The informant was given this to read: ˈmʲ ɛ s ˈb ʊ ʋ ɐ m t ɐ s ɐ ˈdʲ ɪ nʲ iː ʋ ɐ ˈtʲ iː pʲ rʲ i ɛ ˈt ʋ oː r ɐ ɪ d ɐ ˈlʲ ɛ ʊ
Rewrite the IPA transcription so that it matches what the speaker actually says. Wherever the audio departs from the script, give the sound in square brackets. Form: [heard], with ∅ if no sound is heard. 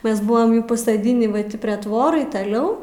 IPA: ˈmʲ ɛ s ˈb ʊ ʋ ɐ m [p] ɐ s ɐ ˈdʲ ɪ nʲ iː ʋ ɐ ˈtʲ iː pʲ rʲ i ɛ ˈt ʋ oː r ɐ ɪ [t] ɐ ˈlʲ ɛ ʊ